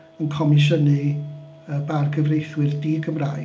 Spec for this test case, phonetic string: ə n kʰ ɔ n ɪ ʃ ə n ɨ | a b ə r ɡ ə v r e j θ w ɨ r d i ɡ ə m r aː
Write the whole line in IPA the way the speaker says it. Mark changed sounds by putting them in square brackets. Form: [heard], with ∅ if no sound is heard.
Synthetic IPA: ə n kʰ ɔ [m] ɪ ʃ ə n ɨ | [ə] b [a] r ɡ ə v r e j θ w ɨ r d i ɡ ə m r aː